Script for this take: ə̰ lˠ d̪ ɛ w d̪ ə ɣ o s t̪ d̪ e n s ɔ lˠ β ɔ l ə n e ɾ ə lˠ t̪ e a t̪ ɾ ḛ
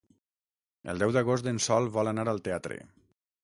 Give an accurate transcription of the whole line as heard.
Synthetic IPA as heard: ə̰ lˠ d̪ ɛ w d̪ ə ɣ o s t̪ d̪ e n s ɔ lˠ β ɔ l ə n a ɾ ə lˠ t̪ e a t̪ ɾ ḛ